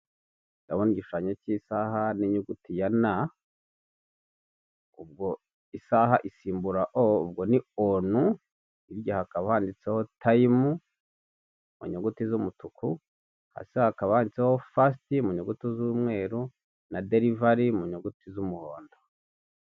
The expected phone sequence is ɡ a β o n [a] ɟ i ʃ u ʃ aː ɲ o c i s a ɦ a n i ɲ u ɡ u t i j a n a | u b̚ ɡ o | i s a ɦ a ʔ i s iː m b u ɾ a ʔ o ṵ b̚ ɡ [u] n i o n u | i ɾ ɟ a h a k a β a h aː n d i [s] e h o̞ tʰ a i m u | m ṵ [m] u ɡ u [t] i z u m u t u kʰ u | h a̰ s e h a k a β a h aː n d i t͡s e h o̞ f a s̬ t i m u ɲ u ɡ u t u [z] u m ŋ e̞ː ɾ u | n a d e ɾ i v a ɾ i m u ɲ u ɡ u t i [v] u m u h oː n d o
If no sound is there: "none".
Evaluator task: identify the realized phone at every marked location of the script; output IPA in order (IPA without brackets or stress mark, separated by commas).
i, o, t͡s, ɲ, t, z, z